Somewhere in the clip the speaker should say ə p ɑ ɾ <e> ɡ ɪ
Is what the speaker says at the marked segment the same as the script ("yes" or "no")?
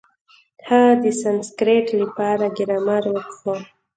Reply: no